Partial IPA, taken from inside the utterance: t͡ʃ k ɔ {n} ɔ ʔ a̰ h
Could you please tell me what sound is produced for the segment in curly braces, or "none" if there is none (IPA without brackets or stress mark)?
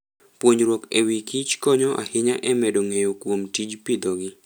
ɲ